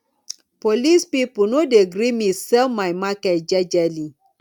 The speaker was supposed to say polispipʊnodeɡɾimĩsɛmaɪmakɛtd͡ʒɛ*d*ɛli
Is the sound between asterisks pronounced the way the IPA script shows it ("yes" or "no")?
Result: no